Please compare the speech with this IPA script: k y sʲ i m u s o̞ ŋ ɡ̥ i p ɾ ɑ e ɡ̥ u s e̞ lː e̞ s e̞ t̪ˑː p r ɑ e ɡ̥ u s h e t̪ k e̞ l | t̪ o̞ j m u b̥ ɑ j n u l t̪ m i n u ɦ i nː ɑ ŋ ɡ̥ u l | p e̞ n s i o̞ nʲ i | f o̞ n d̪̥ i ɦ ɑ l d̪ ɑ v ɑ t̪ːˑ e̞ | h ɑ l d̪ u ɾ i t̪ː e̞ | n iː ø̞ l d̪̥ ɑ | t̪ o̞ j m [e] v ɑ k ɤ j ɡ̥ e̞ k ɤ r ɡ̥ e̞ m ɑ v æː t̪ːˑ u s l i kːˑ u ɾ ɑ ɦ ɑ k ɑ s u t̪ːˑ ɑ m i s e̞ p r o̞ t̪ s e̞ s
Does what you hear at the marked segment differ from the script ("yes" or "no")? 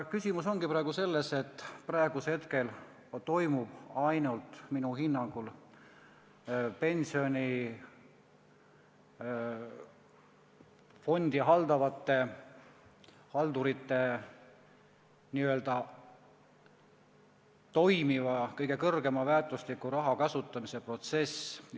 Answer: yes